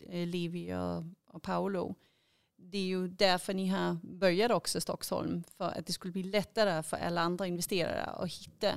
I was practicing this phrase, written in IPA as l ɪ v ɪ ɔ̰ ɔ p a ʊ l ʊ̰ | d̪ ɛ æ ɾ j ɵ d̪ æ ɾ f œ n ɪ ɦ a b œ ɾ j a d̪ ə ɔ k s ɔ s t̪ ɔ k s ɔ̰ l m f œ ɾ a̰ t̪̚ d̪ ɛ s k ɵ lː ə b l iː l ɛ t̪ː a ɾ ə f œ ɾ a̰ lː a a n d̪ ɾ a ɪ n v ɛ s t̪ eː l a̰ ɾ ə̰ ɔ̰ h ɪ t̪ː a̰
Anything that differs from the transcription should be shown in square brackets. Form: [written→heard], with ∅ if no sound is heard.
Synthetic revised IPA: l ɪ v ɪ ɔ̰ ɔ [p→pʰ] a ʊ l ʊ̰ | d̪ ɛ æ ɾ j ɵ d̪ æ ɾ f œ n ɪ ɦ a b œ ɾ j a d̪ ə ɔ k s ɔ s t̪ ɔ k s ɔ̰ l m f œ ɾ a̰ t̪̚ d̪ ɛ s k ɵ lː ə b l iː l ɛ t̪ː a ɾ ə f œ ɾ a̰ lː a a n d̪ ɾ a ɪ n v ɛ s t̪ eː [l→ɾ] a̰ ɾ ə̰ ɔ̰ h ɪ t̪ː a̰